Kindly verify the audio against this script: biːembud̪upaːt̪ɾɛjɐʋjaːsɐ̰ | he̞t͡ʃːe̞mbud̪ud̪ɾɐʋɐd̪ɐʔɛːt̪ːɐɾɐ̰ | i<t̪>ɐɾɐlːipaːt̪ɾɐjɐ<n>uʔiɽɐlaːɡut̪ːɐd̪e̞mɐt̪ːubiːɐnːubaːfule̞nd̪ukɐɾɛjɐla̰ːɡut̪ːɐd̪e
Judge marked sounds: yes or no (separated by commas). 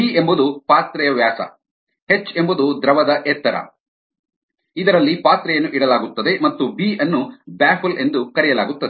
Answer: no, no